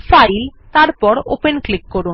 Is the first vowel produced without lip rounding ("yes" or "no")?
yes